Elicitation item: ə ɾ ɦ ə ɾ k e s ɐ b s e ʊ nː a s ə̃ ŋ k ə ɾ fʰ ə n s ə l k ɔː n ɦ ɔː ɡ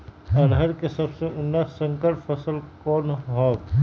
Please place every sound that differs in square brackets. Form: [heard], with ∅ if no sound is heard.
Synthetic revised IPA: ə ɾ ɦ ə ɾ k e s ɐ b s e ʊ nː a s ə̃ ŋ k ə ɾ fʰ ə [∅] s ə l k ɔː n ɦ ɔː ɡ